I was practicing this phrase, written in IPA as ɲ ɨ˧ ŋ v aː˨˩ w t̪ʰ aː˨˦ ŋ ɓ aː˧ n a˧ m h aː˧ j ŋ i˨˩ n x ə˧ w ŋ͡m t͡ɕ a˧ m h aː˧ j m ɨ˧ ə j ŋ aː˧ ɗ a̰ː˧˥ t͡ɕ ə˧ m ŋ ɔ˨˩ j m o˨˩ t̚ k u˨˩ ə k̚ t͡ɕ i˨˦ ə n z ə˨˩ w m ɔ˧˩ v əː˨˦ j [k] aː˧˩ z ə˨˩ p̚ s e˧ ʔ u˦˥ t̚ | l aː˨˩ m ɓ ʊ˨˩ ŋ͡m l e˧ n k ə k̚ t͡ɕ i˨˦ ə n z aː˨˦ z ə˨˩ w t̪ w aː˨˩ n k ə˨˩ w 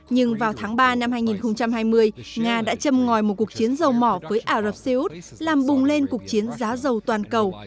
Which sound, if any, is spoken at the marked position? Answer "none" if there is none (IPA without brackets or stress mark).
ʔ